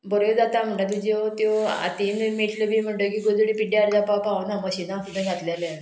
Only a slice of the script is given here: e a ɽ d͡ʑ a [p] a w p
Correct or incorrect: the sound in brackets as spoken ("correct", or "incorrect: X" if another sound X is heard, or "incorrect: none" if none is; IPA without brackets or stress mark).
correct